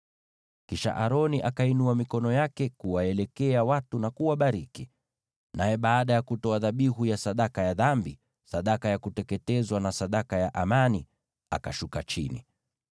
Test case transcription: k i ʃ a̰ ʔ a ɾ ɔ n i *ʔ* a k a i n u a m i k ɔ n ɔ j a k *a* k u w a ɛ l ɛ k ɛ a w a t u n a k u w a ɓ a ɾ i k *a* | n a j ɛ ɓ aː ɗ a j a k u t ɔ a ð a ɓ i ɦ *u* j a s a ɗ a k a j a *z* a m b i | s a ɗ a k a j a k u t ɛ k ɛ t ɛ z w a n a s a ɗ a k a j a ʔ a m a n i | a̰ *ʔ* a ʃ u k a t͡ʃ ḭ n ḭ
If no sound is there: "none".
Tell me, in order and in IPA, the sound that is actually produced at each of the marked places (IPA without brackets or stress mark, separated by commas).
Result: ʔ, ɛ, i, u, ð, k